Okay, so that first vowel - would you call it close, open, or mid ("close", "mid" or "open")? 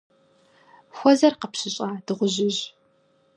mid